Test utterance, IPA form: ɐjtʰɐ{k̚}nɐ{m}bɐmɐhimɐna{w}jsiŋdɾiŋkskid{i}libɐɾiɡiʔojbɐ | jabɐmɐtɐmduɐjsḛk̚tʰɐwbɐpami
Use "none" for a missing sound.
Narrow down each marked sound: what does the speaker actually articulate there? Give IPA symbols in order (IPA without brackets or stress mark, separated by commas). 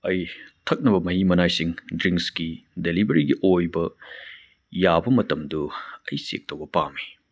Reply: k̚, none, none, e